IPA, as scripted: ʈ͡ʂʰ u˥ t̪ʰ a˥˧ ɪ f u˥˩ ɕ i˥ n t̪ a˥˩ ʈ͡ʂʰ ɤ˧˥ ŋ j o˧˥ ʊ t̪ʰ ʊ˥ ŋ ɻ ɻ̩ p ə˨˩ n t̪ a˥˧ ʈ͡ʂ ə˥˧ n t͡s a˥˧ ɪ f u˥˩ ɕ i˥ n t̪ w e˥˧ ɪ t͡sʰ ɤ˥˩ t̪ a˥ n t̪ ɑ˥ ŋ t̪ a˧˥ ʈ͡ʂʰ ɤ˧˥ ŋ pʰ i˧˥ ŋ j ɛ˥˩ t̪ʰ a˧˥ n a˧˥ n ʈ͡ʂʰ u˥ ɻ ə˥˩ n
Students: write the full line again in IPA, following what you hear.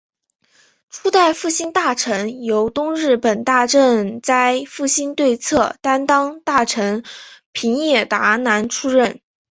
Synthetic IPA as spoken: ʈ͡ʂʰ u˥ t̪ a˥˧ ɪ f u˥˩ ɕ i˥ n t̪ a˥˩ ʈ͡ʂʰ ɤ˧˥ ŋ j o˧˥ ʊ t̪ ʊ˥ ŋ ɻ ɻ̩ p ə˨˩ n t̪ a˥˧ ʈ͡ʂ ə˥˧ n t͡s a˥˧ ɪ f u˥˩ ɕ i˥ n t̪ w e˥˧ ɪ t͡sʰ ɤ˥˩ t̪ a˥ n t̪ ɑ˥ ŋ t̪ a˥˩ ʈ͡ʂʰ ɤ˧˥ ŋ pʰ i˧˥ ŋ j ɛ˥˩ t̪ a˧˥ n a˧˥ n ʈ͡ʂʰ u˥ ɻ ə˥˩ n